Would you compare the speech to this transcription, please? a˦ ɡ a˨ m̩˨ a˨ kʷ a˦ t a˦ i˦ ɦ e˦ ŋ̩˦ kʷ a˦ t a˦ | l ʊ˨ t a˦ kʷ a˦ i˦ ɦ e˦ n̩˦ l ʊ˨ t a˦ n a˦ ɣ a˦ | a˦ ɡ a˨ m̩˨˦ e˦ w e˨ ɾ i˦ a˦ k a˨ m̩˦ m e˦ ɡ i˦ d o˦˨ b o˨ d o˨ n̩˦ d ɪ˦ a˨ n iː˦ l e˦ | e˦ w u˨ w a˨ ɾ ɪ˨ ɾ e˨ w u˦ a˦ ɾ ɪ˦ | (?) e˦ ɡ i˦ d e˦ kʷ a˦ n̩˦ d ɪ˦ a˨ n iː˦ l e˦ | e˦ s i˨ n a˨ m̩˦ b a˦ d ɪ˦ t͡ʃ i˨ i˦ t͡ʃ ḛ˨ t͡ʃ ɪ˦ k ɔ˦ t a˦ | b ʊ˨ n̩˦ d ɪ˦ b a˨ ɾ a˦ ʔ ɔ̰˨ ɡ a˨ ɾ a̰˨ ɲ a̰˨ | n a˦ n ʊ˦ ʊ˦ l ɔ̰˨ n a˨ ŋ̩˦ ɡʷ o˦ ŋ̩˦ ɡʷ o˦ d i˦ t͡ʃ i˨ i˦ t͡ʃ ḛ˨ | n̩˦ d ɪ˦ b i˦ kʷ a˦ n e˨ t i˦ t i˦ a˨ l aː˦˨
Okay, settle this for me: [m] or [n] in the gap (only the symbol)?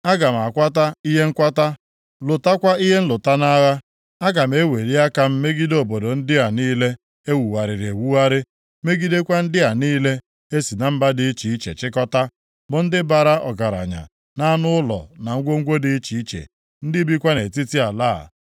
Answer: m